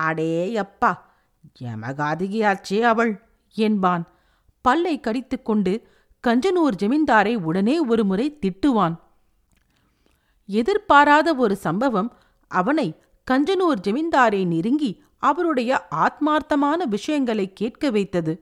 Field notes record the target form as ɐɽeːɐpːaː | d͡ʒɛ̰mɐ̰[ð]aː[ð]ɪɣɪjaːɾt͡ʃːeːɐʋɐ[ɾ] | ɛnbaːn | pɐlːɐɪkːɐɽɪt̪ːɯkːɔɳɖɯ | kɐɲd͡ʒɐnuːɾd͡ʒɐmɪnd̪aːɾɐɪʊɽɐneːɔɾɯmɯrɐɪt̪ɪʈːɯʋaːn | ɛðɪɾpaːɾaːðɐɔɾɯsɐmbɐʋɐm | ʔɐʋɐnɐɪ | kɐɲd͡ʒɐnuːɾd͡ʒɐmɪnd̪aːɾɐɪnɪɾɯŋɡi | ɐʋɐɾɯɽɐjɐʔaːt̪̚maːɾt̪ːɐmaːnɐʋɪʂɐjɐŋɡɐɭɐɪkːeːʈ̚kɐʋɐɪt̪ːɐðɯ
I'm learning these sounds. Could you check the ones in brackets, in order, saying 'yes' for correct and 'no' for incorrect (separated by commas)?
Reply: no, yes, no